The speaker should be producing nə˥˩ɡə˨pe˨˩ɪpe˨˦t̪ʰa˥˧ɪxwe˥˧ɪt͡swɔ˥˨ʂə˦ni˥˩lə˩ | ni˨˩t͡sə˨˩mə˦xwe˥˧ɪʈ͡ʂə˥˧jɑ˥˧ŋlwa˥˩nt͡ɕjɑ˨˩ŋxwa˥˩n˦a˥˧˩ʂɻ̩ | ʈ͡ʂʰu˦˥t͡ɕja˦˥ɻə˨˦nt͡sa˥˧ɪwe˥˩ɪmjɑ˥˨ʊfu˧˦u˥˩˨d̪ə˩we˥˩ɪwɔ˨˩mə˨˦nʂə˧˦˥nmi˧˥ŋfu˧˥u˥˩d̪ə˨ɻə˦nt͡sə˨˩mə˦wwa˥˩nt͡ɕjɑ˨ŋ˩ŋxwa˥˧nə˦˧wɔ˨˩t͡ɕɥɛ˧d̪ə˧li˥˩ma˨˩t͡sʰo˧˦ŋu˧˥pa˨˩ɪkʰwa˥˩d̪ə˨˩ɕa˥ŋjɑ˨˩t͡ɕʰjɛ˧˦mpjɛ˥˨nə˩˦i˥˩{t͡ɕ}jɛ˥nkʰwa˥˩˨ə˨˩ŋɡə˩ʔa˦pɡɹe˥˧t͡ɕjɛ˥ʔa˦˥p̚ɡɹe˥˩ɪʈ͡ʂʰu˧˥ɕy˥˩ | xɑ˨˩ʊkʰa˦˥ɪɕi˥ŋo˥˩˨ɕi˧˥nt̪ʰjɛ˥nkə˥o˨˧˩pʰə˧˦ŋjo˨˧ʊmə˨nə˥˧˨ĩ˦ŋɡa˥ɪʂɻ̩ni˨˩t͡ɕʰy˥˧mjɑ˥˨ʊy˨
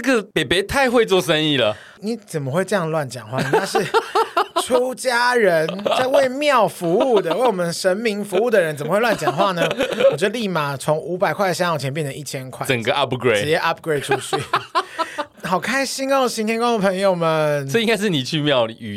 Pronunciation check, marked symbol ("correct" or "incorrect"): incorrect